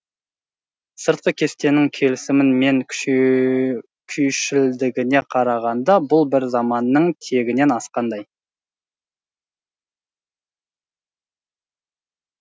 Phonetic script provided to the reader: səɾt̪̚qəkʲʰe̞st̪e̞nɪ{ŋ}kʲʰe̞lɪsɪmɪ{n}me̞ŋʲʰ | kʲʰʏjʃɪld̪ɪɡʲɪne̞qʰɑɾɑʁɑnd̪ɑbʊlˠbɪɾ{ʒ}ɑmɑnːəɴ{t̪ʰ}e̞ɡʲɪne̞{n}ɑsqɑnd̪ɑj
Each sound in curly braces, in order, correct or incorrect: correct, correct, incorrect: z, correct, correct

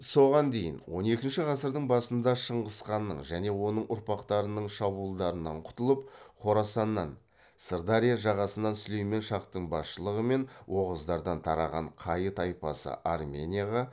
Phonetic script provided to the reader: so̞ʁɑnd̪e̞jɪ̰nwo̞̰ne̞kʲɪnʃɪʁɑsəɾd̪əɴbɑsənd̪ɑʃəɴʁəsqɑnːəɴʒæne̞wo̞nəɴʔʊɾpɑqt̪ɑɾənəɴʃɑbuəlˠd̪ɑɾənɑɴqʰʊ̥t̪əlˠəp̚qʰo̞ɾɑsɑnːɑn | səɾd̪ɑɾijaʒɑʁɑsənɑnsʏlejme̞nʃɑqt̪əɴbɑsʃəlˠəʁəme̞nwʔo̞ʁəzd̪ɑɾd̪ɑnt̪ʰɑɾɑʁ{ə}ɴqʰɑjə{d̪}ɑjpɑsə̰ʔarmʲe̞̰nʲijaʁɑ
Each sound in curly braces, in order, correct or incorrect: incorrect: ɑ, incorrect: t̪

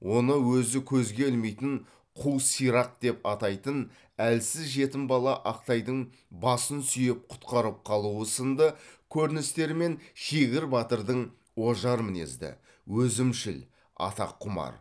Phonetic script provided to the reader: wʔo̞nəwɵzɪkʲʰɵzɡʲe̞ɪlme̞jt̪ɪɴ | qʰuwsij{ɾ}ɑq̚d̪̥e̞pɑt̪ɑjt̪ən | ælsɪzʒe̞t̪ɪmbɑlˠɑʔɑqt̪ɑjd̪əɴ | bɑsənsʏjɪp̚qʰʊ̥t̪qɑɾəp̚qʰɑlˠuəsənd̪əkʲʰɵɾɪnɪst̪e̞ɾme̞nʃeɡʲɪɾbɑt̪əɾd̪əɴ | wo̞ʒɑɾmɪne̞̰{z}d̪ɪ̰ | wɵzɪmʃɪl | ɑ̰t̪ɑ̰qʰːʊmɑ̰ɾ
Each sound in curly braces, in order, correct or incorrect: correct, correct

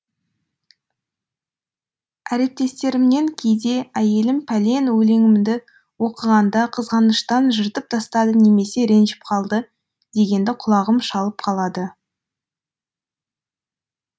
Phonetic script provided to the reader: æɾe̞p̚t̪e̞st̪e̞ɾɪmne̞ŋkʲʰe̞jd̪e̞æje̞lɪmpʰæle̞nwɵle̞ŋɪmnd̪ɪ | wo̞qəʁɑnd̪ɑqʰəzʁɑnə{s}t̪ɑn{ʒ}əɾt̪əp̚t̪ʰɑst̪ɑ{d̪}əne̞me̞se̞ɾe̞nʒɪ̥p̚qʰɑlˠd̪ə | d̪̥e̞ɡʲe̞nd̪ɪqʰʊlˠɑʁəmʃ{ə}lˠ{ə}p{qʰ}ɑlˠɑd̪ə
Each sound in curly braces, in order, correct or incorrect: incorrect: ʃ, correct, correct, incorrect: ɑ, correct, correct

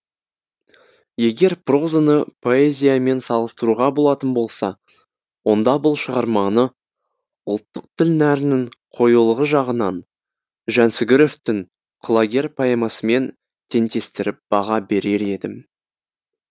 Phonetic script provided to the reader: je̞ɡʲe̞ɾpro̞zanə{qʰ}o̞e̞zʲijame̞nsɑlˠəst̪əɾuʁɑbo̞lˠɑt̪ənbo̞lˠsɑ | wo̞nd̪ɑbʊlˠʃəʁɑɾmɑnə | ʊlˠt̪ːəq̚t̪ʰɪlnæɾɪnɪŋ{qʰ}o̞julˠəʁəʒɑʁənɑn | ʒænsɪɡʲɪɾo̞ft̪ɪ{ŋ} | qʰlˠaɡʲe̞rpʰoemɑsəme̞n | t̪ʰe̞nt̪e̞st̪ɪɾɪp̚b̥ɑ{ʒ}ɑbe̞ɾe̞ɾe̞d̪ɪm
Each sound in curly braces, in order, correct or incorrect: incorrect: pʰ, correct, correct, incorrect: ʁ

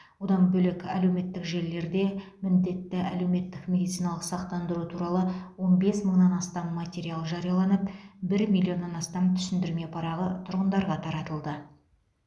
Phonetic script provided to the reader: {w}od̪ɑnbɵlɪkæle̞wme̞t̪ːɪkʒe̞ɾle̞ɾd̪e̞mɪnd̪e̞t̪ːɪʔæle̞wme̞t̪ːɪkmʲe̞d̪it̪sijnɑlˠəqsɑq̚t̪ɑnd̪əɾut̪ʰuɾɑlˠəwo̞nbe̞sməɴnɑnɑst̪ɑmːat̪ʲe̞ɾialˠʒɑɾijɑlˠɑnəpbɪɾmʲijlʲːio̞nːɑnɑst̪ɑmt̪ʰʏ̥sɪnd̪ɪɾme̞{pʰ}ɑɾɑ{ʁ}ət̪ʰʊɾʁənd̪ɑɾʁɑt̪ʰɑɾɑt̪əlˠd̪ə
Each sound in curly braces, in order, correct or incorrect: correct, correct, correct

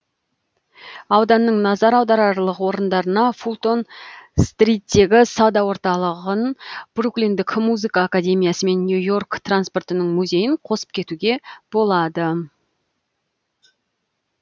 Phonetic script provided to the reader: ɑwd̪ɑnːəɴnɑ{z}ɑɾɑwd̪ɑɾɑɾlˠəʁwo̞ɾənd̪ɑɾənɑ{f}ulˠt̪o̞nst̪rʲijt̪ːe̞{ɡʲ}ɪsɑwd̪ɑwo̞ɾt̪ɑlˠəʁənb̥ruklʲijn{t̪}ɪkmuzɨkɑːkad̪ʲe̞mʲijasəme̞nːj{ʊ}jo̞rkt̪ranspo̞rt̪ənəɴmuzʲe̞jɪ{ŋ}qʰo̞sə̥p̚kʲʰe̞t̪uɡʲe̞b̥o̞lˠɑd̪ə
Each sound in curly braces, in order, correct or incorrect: correct, correct, correct, incorrect: d̪, incorrect: u, incorrect: ɴ

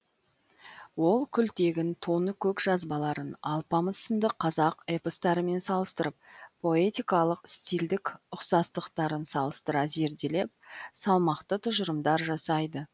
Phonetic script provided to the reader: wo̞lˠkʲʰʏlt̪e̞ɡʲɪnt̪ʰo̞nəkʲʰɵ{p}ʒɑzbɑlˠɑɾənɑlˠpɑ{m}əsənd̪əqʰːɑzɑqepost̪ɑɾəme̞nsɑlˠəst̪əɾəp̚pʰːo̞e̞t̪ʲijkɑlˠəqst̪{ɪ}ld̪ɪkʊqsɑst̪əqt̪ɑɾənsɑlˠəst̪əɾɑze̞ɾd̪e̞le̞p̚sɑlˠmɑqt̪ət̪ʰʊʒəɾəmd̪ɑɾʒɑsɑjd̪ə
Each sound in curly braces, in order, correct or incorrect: incorrect: k, correct, incorrect: i

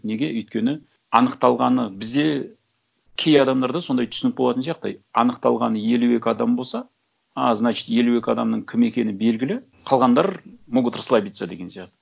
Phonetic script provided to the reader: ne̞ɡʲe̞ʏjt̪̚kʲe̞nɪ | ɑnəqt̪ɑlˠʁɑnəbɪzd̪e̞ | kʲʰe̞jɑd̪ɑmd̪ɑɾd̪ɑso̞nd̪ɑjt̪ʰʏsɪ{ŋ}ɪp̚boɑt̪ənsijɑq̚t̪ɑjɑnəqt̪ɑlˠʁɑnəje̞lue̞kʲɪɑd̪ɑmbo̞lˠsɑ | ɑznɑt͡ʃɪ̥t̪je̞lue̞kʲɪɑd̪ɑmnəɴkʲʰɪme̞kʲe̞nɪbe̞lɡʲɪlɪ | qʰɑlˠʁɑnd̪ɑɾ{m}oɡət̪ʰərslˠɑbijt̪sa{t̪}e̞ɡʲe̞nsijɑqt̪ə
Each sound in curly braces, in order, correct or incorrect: incorrect: n, correct, incorrect: d̪

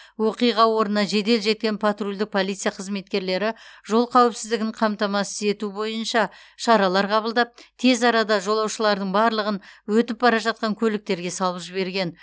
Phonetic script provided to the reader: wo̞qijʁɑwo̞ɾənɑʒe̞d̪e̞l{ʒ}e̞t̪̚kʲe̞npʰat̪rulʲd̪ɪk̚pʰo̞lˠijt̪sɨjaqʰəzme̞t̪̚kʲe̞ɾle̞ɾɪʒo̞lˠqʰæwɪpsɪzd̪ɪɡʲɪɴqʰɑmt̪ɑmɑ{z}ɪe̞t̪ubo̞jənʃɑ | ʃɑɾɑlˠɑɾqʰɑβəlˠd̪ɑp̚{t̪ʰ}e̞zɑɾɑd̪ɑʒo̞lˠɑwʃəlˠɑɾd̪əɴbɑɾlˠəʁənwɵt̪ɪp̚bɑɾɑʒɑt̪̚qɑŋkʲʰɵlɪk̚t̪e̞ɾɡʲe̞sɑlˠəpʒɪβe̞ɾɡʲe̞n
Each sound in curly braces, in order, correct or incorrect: correct, incorrect: s, correct

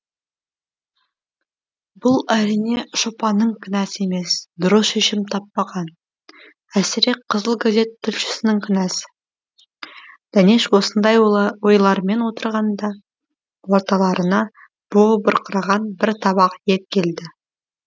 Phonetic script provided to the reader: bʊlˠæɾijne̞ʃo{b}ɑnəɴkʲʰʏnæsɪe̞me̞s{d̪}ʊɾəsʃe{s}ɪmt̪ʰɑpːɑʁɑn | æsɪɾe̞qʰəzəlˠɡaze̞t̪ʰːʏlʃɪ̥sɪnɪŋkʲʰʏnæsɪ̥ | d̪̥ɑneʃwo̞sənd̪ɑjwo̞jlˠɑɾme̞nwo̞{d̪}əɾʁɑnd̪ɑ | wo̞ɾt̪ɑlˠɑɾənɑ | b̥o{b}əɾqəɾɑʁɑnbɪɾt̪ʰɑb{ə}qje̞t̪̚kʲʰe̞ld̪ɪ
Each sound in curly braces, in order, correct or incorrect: incorrect: p, correct, incorrect: ʃ, incorrect: t̪, correct, incorrect: ɑ

